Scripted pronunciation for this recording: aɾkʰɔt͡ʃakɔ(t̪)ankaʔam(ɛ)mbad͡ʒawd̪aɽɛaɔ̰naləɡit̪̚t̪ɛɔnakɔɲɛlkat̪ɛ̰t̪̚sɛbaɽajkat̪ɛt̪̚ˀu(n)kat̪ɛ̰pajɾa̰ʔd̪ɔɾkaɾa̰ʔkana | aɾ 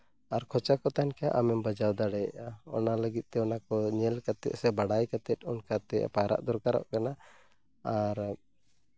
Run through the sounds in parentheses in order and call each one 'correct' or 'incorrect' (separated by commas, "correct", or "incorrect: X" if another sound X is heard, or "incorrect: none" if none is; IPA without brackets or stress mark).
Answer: correct, correct, correct